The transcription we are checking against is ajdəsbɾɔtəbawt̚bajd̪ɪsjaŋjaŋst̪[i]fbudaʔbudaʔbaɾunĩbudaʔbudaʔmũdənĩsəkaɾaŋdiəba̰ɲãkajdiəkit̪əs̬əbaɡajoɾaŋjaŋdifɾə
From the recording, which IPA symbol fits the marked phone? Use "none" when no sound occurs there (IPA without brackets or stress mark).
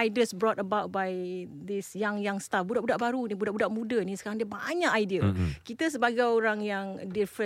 a